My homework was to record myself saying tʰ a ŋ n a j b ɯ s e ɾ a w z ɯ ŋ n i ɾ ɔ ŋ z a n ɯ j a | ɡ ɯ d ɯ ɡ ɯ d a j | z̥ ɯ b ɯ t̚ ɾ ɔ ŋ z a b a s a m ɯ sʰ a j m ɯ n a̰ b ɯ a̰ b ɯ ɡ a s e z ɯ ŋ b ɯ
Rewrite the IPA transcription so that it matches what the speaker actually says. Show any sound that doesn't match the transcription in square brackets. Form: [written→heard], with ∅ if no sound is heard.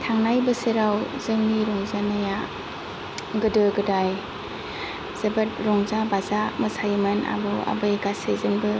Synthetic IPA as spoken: tʰ a ŋ n a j b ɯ s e ɾ a w z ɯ ŋ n i ɾ ɔ ŋ z a n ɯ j a | ɡ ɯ d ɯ ɡ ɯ d a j | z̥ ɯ b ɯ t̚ ɾ ɔ ŋ z a b a [s→z] a m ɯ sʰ a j m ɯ n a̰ b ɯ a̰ b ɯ ɡ a s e z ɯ ŋ b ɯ

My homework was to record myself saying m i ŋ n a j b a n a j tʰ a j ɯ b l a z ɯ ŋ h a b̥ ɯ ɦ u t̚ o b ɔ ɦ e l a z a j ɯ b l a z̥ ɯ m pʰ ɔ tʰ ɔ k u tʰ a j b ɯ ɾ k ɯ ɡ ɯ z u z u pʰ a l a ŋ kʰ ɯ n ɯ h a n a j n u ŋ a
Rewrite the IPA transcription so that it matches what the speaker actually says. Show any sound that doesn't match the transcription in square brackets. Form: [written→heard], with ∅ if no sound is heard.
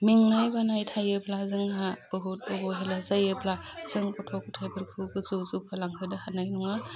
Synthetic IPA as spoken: m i ŋ n a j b a n a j tʰ a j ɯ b l a z ɯ ŋ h a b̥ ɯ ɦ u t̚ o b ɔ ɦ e l a z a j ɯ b l a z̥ ɯ [m→ŋ] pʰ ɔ tʰ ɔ k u tʰ a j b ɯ ɾ [k→kʰ] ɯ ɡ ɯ z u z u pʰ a l a ŋ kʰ ɯ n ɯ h a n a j n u ŋ a

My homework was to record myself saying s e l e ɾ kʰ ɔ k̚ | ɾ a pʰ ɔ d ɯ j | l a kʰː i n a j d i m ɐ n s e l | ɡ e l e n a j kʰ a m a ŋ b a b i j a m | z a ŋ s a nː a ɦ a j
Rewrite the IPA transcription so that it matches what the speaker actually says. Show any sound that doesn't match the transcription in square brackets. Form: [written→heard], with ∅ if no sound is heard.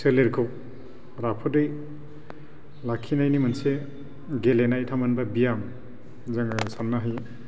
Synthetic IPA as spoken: s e l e ɾ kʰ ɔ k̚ | ɾ a pʰ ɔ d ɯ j | l a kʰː i n a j [d→n] i m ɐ n s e [l→∅] | ɡ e l e n a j [kʰ→tʰ] a m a [ŋ→n] b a b i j a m | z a ŋ s a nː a ɦ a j

